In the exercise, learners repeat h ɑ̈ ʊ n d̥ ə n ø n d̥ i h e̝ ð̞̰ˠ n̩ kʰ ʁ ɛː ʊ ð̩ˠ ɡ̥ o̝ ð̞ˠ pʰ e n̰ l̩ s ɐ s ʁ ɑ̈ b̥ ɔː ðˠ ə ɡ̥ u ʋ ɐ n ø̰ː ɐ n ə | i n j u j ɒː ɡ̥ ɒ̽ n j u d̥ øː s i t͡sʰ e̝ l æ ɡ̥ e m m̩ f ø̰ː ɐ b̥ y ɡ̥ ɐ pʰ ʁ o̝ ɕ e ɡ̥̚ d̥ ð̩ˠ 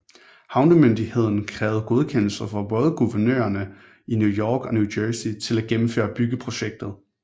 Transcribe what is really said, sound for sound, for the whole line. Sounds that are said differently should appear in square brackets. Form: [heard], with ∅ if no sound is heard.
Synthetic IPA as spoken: h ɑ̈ ʊ n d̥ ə [m] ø n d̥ i h e̝ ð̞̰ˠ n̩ kʰ ʁ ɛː ʊ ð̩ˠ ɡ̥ o̝ ð̞ˠ [kʰ] e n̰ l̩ s ɐ [f] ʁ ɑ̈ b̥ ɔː ðˠ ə ɡ̥ u ʋ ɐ n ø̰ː ɐ n ə | i n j u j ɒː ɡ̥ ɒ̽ n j u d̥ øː s i t͡sʰ e̝ l æ ɡ̥ e m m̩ f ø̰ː ɐ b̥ y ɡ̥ [ə] pʰ ʁ o̝ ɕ e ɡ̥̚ d̥ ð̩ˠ

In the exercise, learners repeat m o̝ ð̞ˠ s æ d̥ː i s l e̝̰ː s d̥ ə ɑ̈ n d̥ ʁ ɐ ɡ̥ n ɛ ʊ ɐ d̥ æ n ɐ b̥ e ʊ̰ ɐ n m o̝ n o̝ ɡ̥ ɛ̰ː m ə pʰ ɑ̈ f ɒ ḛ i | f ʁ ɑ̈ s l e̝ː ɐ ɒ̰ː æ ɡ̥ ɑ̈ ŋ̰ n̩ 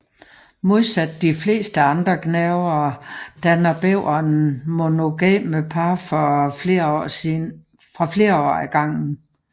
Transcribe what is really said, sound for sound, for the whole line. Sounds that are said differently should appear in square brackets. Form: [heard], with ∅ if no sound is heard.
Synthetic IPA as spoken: m o̝ ð̞ˠ s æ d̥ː i [f] l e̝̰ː s d̥ ə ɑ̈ n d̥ ʁ ɐ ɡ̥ n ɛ ʊ ɐ d̥ æ n ɐ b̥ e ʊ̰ ɐ n m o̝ n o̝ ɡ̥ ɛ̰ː m ə pʰ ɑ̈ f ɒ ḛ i | f ʁ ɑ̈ [f] l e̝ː ɐ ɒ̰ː æ ɡ̥ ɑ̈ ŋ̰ n̩

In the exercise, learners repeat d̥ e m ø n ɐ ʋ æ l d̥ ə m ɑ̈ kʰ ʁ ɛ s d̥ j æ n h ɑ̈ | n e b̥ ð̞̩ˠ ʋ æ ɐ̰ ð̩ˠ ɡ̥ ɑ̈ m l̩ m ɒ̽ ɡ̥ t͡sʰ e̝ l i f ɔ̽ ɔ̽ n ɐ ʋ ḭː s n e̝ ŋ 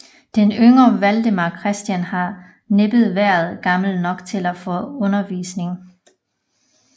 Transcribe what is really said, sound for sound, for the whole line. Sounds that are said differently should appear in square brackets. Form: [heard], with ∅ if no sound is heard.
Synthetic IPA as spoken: d̥ e [n] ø [ŋ] ɐ ʋ æ l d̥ ə m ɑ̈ kʰ ʁ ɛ s d̥ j æ n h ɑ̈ | n e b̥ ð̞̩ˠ ʋ æ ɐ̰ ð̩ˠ ɡ̥ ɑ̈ m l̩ [n] ɒ̽ ɡ̥ t͡sʰ e̝ l [æ] f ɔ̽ ɔ̽ n ɐ ʋ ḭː s n e̝ ŋ

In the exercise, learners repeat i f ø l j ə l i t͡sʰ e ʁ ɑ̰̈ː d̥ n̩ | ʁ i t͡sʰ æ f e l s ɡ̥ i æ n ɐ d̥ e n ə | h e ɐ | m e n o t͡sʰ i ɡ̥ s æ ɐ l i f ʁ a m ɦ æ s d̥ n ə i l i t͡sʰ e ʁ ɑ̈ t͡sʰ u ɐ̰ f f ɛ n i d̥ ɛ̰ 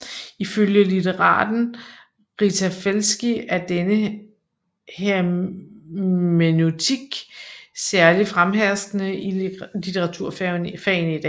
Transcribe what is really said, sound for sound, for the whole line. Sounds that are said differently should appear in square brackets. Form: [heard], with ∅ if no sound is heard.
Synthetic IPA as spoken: i f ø l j ə l i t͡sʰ e ʁ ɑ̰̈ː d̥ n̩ | ʁ i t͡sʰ æ f e l s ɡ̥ i æ [∅] ɐ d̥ e n ə | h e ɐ | m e n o t͡sʰ i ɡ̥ s æ ɐ l i f ʁ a m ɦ æ s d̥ n ə i l i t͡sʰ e ʁ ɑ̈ t͡sʰ u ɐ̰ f f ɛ n i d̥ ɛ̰

